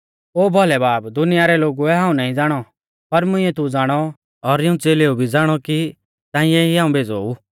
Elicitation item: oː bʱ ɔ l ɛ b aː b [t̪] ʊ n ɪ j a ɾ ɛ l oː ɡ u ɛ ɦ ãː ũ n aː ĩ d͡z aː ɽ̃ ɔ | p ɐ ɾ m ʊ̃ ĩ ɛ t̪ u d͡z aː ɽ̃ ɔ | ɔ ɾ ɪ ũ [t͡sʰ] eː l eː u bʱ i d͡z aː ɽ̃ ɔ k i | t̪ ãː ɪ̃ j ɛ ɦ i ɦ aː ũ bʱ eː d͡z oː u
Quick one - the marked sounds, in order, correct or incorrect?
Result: incorrect: d̪, incorrect: t͡s

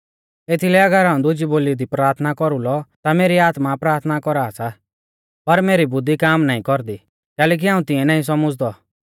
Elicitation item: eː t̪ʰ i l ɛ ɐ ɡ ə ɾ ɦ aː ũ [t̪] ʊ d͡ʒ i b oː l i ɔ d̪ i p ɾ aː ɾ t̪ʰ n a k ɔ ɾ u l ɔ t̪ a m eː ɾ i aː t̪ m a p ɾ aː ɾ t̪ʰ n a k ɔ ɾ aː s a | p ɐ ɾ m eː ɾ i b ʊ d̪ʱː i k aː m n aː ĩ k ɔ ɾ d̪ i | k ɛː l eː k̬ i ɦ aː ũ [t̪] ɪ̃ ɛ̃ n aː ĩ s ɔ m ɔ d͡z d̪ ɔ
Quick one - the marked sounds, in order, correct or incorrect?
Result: incorrect: d̪, correct

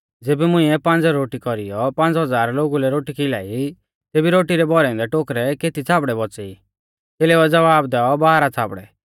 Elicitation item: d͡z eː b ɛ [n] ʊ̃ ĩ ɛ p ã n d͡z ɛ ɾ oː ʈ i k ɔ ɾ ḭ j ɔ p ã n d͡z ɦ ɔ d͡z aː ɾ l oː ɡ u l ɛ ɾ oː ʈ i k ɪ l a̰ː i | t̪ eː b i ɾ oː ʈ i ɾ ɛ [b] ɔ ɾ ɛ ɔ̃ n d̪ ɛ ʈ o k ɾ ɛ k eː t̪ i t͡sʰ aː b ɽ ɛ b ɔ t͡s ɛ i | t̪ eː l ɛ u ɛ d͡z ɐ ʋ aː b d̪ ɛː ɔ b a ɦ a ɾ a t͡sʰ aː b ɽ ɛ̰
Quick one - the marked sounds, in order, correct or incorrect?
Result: incorrect: m, correct

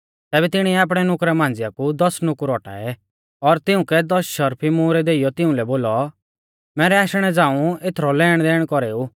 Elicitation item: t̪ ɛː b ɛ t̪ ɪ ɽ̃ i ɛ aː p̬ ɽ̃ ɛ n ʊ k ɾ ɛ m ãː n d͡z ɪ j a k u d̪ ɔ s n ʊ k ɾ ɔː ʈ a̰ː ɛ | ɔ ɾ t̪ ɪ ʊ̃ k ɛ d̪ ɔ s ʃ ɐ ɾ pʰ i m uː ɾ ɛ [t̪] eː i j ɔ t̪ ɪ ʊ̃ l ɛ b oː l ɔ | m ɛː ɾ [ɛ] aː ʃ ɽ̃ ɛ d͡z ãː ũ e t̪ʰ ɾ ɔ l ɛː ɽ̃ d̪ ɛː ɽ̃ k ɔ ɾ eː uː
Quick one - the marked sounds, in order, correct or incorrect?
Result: incorrect: d̪, correct

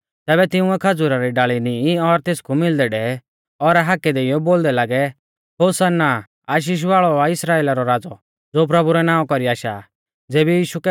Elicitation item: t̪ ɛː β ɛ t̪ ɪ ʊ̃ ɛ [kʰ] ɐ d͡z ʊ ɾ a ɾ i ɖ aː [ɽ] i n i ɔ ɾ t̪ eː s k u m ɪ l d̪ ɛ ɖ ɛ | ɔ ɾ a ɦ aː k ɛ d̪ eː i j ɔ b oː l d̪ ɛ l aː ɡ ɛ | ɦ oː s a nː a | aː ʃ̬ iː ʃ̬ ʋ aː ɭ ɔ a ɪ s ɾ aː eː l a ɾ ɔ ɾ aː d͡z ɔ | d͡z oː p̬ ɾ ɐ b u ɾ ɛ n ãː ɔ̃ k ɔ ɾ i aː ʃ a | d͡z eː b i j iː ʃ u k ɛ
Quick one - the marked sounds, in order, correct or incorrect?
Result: correct, incorrect: ɭ

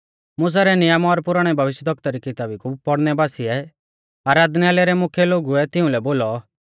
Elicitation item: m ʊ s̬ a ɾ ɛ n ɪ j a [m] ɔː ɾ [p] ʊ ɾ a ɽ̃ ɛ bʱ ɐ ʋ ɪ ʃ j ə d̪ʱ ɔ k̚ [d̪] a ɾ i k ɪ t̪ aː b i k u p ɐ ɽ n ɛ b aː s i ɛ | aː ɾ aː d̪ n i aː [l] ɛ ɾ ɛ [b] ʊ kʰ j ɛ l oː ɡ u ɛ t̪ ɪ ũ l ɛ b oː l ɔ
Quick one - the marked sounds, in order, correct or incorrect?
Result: correct, correct, incorrect: t̪, correct, incorrect: m

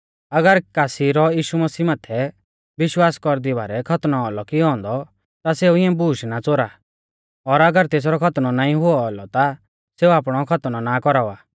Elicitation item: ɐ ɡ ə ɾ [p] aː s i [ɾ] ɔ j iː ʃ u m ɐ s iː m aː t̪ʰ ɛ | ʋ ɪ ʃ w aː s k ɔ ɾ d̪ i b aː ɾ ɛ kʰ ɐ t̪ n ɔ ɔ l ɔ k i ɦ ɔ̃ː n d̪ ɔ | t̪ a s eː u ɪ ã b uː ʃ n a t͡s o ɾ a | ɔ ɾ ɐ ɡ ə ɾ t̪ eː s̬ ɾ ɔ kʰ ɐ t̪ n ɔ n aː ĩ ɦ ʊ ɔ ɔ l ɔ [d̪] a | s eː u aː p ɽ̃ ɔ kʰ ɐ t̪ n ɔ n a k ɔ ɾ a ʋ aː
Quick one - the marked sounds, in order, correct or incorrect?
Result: incorrect: k, correct, incorrect: t̪

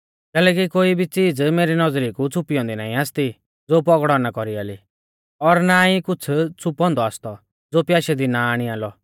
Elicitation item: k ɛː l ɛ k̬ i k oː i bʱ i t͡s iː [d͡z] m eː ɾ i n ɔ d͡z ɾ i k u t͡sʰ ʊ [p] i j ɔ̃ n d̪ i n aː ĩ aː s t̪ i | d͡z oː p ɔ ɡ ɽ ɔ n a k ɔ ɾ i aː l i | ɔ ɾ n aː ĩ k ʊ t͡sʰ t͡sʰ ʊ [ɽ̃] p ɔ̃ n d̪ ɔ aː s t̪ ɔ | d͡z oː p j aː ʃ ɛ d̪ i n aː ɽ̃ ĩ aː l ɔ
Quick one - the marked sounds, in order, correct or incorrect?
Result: correct, correct, incorrect: none

